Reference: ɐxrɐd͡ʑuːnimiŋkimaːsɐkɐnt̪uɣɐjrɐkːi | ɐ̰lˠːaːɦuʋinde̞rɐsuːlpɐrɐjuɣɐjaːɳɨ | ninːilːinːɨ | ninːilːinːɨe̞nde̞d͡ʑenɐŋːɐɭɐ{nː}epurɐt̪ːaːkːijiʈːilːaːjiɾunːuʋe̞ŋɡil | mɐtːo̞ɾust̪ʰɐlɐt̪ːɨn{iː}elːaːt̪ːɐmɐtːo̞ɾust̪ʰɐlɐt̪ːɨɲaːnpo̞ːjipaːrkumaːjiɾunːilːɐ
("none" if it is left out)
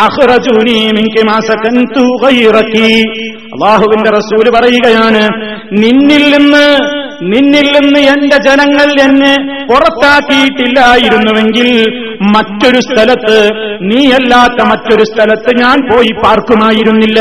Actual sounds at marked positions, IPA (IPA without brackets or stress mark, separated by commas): nː, iː